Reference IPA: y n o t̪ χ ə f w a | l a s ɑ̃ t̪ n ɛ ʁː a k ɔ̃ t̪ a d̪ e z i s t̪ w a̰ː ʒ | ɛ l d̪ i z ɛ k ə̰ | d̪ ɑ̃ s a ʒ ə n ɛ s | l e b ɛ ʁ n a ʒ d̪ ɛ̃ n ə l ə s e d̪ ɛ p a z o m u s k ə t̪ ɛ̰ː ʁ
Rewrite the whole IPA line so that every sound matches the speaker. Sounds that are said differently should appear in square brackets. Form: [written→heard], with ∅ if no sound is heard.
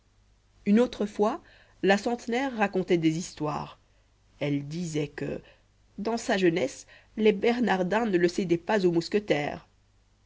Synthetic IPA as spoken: y n o t̪ χ ə f w a | l a s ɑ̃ t̪ n ɛ ʁː a k ɔ̃ t̪ [a→ɛ] d̪ e z i s t̪ w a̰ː [ʒ→ʁ] | ɛ l d̪ i z ɛ k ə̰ | d̪ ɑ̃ s a ʒ ə n ɛ s | l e b ɛ ʁ n a [ʒ→ʁ] d̪ ɛ̃ n ə l ə s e d̪ ɛ p a z o m u s k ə t̪ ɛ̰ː ʁ